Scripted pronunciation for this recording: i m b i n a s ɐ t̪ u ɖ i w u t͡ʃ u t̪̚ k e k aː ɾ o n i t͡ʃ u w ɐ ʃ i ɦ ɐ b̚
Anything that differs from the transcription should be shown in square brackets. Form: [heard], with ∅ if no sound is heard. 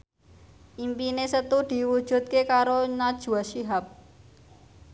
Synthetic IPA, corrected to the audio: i m b i n [e] s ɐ t̪ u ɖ i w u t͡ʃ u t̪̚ k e k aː ɾ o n [a] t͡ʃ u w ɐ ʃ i ɦ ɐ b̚